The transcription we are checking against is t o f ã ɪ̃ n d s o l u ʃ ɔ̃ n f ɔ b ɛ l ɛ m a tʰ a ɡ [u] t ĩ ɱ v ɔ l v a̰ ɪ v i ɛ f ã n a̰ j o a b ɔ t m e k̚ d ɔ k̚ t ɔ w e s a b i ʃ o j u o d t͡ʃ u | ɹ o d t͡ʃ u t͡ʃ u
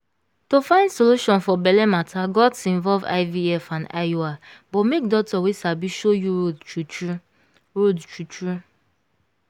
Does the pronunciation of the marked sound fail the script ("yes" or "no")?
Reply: yes